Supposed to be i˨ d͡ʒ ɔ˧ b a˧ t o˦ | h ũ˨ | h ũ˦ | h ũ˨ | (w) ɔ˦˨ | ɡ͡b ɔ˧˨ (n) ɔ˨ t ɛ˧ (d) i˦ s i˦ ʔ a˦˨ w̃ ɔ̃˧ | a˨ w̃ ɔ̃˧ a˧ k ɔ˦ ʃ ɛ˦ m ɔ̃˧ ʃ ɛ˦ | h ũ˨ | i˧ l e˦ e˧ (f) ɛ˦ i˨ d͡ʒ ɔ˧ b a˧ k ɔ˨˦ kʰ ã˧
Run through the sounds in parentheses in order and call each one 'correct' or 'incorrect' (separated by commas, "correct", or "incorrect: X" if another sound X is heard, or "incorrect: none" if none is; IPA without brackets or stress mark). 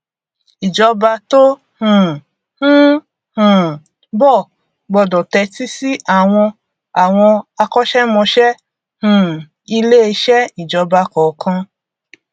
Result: incorrect: b, incorrect: d, incorrect: t, incorrect: ʃ